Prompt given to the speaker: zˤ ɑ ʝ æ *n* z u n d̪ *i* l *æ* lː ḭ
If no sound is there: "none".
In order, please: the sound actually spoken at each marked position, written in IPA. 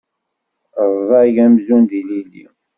m, i, i

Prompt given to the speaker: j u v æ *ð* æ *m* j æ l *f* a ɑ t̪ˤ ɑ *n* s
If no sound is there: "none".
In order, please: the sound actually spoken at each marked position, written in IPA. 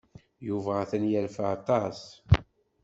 θ, n, f, none

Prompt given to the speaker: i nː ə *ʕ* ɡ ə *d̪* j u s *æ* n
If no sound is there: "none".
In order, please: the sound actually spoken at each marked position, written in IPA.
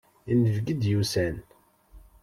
v, d̪, æ

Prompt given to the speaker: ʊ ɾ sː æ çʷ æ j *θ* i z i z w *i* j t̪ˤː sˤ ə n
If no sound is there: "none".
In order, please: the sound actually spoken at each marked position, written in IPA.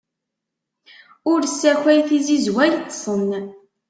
θ, æ

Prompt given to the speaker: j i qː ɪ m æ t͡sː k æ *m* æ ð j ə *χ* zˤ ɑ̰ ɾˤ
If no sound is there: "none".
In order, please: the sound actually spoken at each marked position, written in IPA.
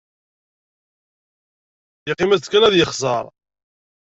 n, χ

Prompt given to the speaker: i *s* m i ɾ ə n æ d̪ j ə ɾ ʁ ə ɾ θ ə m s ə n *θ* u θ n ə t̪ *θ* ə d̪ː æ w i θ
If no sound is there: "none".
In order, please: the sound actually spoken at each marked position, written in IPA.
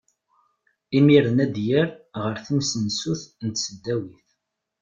none, s, s

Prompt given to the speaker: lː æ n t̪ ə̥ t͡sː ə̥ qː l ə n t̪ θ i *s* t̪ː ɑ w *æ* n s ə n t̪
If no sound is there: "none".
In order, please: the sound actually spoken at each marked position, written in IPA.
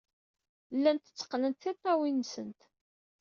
none, i

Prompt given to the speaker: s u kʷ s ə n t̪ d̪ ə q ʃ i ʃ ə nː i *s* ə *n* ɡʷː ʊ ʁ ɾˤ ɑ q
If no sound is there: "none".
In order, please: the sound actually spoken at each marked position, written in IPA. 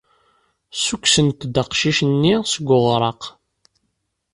s, none

